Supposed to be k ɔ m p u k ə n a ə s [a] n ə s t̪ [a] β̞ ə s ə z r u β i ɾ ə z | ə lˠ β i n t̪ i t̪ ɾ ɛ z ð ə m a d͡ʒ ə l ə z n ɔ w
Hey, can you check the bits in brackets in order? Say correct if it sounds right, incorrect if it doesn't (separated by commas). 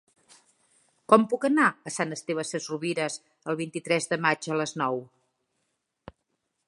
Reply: correct, incorrect